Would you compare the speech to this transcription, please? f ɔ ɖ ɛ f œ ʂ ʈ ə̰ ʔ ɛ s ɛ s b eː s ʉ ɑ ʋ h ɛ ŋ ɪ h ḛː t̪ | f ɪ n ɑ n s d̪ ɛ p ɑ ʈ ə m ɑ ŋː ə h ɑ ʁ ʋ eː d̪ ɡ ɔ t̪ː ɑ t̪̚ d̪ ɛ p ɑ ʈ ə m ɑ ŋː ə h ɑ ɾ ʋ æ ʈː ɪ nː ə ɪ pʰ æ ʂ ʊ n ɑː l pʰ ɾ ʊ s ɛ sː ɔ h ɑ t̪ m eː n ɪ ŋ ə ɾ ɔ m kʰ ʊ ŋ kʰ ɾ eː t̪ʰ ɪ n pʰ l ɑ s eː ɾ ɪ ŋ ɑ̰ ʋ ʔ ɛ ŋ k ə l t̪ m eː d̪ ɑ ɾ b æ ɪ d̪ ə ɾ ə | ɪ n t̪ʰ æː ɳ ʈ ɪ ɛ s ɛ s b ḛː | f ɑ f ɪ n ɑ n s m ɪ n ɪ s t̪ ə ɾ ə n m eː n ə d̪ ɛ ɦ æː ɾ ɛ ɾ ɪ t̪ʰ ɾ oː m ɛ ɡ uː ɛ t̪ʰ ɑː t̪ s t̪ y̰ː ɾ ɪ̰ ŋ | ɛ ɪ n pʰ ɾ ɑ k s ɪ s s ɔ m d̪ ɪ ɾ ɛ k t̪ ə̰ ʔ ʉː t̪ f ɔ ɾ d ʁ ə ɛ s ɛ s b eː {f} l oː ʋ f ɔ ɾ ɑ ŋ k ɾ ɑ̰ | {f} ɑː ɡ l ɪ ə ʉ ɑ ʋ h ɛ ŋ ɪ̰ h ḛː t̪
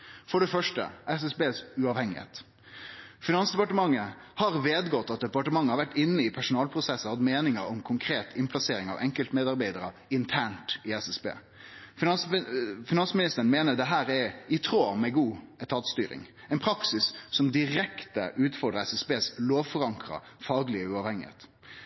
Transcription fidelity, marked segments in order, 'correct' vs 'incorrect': incorrect: s, correct

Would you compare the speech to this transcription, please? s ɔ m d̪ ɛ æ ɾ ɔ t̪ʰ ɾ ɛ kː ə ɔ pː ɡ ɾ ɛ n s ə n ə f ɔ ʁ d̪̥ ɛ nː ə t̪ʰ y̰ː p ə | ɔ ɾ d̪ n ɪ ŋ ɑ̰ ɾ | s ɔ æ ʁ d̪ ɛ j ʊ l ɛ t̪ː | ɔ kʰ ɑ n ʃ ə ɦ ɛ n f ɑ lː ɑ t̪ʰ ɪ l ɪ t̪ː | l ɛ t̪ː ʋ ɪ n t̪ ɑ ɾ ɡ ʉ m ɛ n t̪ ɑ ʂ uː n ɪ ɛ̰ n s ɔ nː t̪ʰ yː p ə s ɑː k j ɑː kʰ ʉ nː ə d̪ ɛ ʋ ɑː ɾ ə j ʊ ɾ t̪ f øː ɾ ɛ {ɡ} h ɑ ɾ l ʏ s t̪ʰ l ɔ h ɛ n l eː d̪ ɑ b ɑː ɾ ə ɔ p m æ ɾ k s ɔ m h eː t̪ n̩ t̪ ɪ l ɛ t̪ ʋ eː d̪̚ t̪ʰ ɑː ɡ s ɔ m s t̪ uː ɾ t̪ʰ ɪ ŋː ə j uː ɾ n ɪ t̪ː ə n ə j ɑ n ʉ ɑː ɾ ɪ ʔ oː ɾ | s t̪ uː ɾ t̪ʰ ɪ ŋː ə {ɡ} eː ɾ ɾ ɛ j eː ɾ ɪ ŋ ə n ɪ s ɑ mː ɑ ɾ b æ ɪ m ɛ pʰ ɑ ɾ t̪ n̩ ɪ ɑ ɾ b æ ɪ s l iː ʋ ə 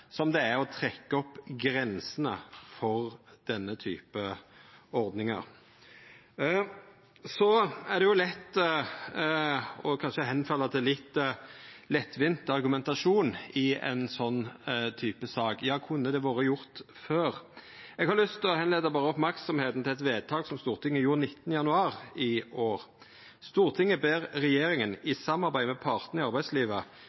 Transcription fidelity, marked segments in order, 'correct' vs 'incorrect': correct, incorrect: b

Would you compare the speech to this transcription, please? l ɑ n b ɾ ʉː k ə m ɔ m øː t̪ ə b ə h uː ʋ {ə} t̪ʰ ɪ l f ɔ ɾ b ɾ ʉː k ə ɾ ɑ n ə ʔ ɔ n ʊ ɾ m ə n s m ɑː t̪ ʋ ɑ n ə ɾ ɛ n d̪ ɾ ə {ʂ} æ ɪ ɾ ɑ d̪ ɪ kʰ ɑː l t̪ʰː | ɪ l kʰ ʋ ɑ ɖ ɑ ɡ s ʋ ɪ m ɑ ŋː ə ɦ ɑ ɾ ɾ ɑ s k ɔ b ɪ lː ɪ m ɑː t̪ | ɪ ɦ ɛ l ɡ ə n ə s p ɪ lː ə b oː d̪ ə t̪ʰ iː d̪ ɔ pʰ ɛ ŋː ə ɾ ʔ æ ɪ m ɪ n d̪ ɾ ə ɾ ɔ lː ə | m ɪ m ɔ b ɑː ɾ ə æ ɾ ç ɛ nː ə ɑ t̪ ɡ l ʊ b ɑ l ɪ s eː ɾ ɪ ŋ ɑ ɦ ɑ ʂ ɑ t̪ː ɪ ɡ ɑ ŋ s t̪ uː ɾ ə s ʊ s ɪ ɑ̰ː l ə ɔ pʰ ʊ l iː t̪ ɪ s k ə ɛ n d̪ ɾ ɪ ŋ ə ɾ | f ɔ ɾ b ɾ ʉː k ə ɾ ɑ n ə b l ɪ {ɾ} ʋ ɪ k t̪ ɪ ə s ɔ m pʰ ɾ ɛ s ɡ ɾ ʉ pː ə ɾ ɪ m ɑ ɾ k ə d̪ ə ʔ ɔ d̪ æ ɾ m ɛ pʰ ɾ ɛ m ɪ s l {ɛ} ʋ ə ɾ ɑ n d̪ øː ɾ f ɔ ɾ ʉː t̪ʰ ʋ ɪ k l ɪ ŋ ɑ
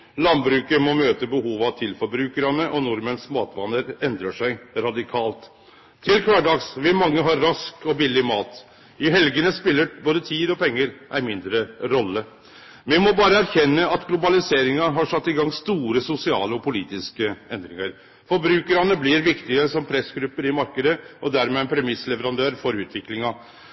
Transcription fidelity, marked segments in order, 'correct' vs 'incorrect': incorrect: ɑ, correct, correct, correct

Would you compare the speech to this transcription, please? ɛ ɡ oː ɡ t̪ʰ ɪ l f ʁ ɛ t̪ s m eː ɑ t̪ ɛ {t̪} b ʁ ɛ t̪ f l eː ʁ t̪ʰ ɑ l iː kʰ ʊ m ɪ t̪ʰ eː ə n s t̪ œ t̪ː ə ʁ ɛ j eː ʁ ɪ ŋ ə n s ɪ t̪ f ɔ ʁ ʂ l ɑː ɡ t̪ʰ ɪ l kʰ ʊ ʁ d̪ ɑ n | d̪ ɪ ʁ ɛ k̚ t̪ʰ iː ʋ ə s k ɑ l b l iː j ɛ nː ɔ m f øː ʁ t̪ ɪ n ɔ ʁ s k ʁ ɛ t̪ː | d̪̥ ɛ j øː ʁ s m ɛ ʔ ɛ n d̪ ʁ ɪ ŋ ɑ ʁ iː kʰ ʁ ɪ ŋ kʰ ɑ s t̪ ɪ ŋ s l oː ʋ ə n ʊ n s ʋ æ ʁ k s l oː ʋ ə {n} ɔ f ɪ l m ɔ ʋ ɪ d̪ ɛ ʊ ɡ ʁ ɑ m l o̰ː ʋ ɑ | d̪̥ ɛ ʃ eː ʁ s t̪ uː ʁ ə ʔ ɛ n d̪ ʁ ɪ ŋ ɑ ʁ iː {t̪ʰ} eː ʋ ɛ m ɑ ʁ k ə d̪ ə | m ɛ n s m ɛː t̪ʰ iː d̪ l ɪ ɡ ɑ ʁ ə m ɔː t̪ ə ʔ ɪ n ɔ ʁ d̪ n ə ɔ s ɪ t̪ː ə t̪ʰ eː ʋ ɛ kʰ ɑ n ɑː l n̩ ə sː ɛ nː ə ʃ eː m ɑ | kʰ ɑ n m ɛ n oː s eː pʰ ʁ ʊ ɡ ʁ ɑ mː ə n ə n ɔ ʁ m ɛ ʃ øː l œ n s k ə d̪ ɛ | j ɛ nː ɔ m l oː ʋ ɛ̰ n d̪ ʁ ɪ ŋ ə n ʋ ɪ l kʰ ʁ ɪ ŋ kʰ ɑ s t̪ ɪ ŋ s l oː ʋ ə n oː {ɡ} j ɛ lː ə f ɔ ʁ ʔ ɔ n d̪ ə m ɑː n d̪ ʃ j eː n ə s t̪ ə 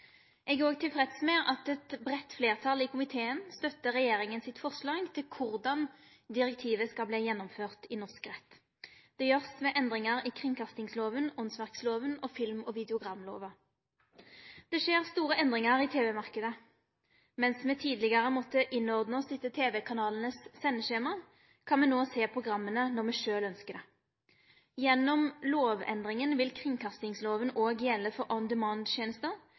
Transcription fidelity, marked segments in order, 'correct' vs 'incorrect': correct, correct, correct, correct

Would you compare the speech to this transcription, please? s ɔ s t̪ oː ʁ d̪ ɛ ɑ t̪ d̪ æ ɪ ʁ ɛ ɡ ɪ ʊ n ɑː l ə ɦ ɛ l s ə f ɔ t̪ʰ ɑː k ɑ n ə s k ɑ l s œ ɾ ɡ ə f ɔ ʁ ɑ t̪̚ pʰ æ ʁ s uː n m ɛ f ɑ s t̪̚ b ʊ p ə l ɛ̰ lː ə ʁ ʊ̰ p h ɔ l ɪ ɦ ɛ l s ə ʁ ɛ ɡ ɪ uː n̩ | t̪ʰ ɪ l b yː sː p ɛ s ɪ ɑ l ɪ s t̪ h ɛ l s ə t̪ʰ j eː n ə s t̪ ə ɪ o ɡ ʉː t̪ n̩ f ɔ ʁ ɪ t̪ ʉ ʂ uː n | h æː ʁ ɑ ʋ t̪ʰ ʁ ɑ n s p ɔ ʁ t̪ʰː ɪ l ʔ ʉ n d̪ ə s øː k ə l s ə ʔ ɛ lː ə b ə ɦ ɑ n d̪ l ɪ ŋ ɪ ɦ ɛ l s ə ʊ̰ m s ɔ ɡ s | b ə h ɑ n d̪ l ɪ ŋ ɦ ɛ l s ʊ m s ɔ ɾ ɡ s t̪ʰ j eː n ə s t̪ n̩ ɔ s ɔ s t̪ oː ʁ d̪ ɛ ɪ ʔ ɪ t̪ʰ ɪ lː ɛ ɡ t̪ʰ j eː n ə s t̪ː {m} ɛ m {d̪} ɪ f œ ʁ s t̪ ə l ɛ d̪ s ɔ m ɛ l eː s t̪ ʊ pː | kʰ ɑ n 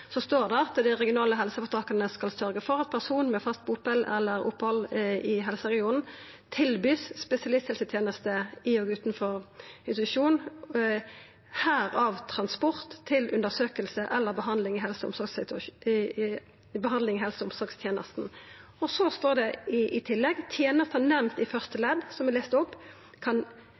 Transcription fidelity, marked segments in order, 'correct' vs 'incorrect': incorrect: n, incorrect: t̪

